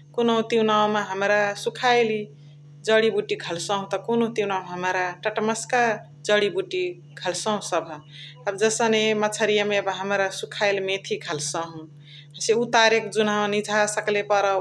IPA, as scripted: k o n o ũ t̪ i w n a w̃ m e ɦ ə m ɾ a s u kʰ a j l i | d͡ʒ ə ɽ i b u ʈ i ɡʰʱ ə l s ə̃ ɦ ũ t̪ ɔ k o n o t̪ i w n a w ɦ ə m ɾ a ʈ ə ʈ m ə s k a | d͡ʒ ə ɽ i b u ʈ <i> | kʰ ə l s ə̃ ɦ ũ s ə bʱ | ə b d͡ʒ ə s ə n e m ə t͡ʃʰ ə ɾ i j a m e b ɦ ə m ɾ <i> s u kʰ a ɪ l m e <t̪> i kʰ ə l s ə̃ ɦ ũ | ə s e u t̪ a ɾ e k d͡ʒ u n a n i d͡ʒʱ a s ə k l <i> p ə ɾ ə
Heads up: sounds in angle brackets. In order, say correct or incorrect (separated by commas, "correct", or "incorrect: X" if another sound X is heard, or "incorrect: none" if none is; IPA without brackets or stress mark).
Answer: correct, incorrect: a, incorrect: t̪ʰ, incorrect: e